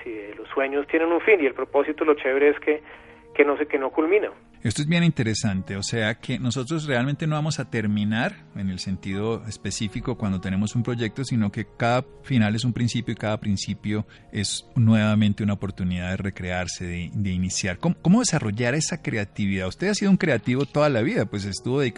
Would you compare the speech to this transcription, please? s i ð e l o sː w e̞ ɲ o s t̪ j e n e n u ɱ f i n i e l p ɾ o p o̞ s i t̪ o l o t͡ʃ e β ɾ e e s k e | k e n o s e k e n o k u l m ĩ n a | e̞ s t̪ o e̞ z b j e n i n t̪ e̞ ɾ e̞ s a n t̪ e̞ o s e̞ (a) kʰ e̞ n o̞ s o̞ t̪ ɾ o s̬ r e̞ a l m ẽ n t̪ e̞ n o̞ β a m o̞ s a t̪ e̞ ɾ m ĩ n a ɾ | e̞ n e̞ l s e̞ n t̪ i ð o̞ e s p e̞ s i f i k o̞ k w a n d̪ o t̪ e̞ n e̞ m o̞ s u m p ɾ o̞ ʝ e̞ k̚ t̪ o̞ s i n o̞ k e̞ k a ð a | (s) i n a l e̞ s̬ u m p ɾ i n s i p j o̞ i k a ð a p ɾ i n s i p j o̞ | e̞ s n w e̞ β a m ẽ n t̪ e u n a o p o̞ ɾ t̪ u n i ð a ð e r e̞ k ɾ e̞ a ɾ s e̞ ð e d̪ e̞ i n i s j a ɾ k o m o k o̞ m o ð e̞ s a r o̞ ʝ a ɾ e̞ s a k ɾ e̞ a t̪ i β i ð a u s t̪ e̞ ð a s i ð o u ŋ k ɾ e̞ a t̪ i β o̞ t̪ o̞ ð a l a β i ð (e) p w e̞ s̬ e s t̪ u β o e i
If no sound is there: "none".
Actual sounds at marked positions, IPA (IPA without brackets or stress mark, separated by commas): a, f, a